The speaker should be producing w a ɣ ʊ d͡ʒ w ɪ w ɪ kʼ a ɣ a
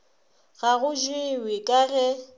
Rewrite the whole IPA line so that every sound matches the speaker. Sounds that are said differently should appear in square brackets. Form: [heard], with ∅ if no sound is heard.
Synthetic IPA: [ɣ] a ɣ ʊ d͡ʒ w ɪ w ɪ kʼ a ɣ [ɛ]